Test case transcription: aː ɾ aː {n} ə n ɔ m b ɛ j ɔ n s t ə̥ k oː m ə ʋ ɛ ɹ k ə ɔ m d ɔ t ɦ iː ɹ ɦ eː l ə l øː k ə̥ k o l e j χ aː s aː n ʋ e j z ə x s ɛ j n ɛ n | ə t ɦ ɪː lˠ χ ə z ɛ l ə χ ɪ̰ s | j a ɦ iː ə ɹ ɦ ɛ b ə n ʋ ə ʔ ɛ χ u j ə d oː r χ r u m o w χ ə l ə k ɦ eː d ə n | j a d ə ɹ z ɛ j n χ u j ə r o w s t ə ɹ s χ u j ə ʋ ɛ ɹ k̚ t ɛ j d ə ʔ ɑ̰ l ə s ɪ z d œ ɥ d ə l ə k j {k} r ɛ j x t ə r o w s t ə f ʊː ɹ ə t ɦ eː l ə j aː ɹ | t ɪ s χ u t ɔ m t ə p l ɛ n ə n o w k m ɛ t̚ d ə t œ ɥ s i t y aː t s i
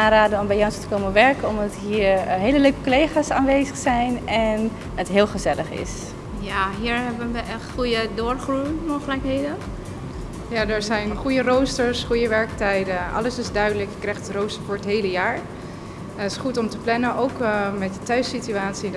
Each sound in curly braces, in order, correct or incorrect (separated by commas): incorrect, correct